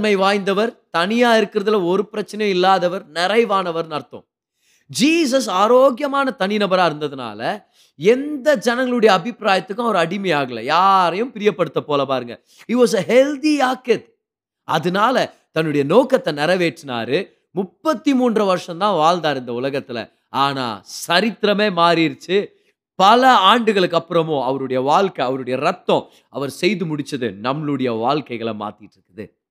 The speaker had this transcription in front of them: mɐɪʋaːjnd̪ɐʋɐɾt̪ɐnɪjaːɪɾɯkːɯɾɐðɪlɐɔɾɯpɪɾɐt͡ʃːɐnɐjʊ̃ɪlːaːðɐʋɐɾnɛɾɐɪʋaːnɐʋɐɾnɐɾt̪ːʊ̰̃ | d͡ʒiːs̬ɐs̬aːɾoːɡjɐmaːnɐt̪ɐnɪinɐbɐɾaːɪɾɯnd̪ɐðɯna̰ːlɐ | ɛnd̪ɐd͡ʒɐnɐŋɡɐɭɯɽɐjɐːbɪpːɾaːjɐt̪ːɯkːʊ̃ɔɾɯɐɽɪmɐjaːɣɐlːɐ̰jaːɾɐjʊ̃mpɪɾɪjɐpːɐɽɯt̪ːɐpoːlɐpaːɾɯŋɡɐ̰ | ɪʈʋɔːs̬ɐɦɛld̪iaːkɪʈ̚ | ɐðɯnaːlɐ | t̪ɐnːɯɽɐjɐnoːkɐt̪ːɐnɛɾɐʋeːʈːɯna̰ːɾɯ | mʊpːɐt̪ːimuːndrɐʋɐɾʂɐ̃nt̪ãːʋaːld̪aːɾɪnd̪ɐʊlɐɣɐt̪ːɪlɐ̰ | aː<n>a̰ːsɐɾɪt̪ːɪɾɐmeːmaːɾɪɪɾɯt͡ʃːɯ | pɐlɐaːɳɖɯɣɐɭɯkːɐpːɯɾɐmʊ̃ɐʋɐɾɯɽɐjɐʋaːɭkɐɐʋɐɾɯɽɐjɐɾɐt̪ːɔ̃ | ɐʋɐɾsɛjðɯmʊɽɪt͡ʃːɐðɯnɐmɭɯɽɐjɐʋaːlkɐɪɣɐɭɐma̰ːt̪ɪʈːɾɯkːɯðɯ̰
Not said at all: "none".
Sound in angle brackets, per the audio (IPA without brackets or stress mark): n